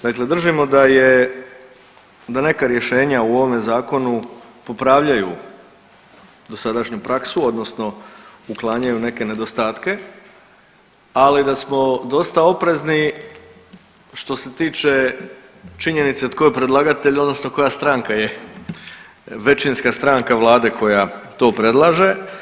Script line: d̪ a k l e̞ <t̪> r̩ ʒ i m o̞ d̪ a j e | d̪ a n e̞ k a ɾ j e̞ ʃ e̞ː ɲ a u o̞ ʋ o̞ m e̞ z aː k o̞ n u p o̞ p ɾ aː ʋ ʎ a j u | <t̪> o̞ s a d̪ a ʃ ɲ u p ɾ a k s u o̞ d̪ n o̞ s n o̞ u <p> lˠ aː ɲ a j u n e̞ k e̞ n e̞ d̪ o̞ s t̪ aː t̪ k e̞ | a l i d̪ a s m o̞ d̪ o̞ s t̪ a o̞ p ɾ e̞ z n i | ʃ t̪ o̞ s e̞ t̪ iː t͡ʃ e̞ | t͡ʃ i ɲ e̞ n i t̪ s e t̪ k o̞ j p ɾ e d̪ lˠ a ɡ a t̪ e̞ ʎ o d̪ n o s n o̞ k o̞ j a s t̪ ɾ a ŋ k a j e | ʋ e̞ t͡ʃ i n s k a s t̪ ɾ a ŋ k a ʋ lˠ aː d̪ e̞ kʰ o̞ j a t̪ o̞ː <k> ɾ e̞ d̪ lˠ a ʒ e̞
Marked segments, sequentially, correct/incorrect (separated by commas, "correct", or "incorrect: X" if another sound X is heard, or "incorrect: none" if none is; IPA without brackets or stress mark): incorrect: d̪, incorrect: d̪, incorrect: k, incorrect: p